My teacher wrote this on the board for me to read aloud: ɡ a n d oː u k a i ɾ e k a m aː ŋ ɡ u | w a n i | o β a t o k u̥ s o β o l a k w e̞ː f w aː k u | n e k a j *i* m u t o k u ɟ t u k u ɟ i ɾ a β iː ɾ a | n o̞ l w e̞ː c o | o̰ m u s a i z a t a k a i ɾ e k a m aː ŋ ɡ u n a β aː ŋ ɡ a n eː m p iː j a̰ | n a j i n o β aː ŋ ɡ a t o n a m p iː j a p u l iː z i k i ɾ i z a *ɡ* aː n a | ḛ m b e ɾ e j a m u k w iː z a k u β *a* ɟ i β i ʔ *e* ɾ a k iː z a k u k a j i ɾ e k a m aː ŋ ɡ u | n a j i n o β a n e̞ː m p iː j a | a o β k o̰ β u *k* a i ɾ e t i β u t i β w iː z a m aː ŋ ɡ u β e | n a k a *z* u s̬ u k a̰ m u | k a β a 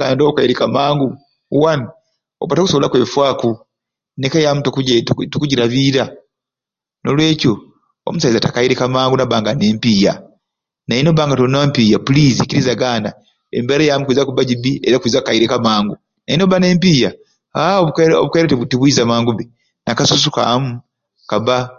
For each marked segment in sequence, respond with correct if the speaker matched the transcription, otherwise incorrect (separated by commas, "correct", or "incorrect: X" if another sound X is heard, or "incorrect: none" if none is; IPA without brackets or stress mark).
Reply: incorrect: a, correct, correct, correct, correct, incorrect: s